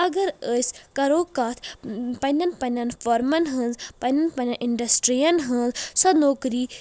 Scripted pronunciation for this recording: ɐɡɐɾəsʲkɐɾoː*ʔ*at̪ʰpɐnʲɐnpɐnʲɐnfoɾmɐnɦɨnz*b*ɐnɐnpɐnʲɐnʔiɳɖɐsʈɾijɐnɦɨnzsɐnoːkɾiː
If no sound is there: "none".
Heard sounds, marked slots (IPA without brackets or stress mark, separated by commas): k, p